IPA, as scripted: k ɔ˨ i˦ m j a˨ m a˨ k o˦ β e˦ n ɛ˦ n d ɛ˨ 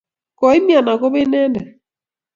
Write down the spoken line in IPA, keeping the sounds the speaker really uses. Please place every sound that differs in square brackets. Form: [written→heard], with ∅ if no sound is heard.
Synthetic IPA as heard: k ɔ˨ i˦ m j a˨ [m→n] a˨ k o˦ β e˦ n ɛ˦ n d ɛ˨